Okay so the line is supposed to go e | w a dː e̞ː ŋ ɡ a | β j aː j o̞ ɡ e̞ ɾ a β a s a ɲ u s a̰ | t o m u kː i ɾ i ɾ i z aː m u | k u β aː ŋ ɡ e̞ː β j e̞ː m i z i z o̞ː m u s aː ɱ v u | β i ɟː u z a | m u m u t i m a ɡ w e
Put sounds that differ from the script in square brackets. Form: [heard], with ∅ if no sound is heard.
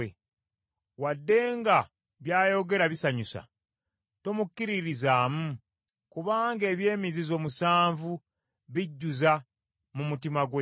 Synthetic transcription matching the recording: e | w a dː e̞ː ŋ ɡ a | β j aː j o̞ ɡ e̞ ɾ a β [i] s a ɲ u s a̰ | t o m u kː i ɾ i ɾ i z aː m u | k u β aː ŋ ɡ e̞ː β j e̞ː m i z i z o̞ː m u s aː ɱ v u | β i ɟː u z a | m u m u t i m a ɡ w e

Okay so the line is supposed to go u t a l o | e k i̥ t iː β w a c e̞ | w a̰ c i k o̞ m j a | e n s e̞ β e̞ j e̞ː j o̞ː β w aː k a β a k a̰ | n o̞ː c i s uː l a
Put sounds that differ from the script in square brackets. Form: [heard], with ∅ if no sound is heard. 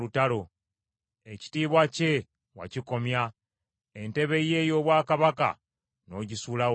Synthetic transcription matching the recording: u t a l o | e [c] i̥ t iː β w a c e̞ | w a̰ c i k o̞ m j a | e n [t] e̞ β e̞ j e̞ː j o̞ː β w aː k a β a k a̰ | n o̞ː [ɟ] i s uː l a

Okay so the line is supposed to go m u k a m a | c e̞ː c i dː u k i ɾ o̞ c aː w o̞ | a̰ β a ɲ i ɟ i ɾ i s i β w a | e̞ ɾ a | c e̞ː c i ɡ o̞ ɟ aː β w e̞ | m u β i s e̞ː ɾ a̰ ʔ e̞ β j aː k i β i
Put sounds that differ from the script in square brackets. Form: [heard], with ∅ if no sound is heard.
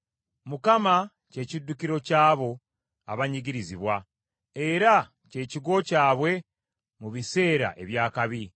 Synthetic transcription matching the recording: m u k a m a | c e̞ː c i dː u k i ɾ o̞ c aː [β] o̞ | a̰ β a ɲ i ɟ i ɾ i [z] i β w a | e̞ ɾ a | c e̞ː c i ɡ o̞ [c] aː β w e̞ | m u β i s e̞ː ɾ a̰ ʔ e̞ β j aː k [a] β i

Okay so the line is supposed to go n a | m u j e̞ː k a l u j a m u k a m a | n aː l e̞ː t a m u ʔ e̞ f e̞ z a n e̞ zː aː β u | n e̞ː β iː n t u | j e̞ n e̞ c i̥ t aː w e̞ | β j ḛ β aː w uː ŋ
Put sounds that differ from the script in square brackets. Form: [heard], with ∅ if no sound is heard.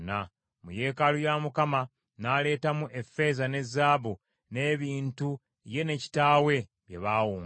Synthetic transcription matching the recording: n a | m u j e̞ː k a l u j a m u k a m a | n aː l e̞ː t a m u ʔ e̞ f e̞ z a n e̞ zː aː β u | n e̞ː β iː n t u | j e̞ n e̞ c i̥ t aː w e̞ | β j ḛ β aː w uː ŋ

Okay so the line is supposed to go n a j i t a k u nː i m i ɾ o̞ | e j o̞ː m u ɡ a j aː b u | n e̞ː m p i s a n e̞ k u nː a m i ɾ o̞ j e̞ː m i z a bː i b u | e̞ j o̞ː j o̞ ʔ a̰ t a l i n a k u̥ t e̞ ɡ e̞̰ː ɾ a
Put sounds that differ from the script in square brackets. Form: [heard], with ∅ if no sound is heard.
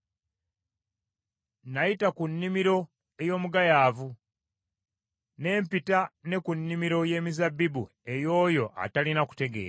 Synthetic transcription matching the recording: n a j i t a k u nː i m i ɾ o̞ | e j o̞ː m u ɡ a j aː [v] u | n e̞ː m p i [t] a n e̞ k u nː [i] m i ɾ o̞ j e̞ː m i z a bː i b u | e̞ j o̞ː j o̞ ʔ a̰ t a l i n a k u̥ t e̞ ɡ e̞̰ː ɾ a

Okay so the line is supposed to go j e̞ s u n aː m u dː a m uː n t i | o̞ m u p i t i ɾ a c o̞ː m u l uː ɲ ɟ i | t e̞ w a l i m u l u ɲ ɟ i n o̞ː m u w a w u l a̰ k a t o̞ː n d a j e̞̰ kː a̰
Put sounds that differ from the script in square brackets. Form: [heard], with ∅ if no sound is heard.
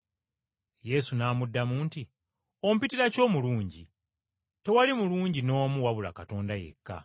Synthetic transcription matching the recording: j e̞ s u n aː m u dː a m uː n t i | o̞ m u p i t i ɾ a c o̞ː m u l uː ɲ ɟ i | t e̞ w a l i m u l [uː] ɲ ɟ i n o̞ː m u w a [β] u l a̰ k a t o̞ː n d a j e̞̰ kː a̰

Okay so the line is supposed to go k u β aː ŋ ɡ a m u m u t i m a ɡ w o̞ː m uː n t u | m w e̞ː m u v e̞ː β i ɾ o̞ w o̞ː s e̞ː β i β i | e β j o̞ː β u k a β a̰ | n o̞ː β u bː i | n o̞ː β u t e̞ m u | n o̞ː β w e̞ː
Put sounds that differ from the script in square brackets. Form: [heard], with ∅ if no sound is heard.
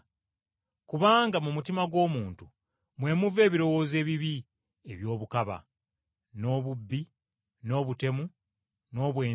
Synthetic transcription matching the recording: k u β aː ŋ ɡ a m u m u t i m a ɡ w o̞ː m uː n t u | m w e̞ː m u v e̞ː β i ɾ o̞ w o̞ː [z] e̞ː β i β i | e β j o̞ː β u k a β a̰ | n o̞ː β u bː i | n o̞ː β u t e̞ m u | n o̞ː β w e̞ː

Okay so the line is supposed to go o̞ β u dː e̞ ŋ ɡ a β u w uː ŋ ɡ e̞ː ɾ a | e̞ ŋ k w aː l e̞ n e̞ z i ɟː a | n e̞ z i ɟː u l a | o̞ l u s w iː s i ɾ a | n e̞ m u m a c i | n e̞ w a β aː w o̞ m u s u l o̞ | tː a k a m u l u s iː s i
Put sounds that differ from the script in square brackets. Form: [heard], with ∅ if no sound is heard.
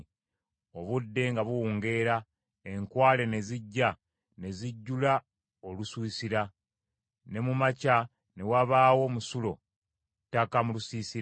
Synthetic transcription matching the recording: o̞ β u dː e̞ ŋ ɡ a β u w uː ŋ ɡ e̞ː ɾ a | e̞ ŋ k w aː l e̞ n e̞ z i ɟː a | n e̞ z i ɟː u l a | o̞ l u s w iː s i ɾ a | n e̞ m u m a c [a] | n e̞ w a β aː w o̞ m u s u l o̞ | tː a k a m u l u s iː s i

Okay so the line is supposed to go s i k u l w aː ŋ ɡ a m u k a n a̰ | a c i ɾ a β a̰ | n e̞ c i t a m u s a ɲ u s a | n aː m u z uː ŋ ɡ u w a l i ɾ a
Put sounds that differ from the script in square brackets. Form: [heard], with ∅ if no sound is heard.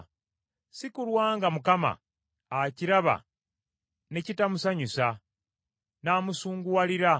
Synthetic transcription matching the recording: s i k u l w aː ŋ ɡ a m u k a [m] a̰ | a c i ɾ a β a̰ | n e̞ c i t a m u s a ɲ u s a | n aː m u [s] uː ŋ ɡ u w a l i ɾ a

